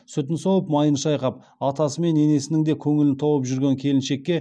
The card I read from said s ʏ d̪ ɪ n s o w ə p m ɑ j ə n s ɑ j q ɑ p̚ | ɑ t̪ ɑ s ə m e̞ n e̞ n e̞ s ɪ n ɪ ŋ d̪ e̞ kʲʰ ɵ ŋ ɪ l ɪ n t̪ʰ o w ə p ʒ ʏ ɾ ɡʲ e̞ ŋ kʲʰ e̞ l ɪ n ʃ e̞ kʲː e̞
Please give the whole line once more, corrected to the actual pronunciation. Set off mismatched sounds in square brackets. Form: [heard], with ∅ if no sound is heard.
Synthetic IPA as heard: s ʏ [t̪] ɪ n s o w ə p m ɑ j ə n [ʃ] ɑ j q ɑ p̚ | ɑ t̪ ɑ s ə m e̞ n e̞ n e̞ s ɪ n ɪ ŋ d̪ e̞ kʲʰ ɵ ŋ ɪ l ɪ n t̪ʰ o w ə p ʒ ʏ ɾ ɡʲ e̞ ŋ kʲʰ e̞ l ɪ n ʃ e̞ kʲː e̞